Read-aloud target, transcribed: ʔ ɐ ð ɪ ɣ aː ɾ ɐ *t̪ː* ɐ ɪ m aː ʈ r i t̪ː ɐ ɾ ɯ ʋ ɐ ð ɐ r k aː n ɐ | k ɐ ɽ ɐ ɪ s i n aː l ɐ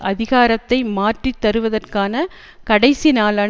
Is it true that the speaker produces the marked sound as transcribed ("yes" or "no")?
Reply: yes